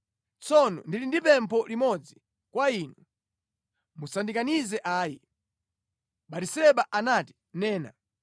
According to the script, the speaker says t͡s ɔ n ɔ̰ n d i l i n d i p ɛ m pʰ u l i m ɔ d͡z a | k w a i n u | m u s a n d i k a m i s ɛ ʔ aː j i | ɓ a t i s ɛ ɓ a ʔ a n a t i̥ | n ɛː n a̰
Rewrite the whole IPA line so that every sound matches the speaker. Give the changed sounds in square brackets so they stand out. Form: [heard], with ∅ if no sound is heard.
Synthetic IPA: t͡s ɔ n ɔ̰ n d i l i n d i p ɛ m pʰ [ɔ] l i m ɔ d͡z [i] | k w a i n u | m u s a n d i k a [n] i [z] ɛ ʔ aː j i | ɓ a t i s ɛ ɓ a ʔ a n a t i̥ | n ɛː n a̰